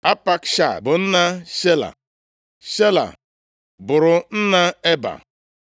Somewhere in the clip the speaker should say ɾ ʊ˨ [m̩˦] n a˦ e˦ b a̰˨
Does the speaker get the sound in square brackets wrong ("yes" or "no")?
yes